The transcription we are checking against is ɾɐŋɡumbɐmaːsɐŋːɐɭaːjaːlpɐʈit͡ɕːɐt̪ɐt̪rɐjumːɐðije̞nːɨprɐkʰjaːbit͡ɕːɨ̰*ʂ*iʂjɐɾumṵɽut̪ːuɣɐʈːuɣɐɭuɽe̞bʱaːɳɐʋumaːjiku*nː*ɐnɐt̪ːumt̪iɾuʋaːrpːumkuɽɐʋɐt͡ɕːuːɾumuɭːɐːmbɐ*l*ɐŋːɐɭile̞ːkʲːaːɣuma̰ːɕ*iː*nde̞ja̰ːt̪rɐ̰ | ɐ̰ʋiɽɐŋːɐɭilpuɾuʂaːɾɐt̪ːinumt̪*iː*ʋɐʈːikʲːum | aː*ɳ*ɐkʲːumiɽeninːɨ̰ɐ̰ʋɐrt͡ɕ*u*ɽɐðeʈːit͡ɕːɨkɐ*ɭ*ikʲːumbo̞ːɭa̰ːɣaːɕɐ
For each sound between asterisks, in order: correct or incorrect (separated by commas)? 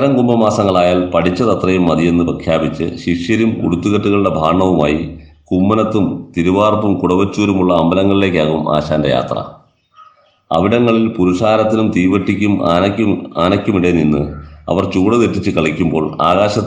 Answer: incorrect, incorrect, correct, incorrect, correct, incorrect, incorrect, correct